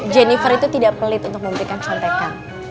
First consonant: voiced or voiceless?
voiced